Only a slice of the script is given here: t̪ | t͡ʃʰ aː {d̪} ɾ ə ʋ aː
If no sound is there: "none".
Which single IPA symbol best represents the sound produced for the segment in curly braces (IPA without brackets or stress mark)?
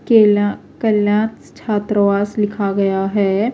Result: t̪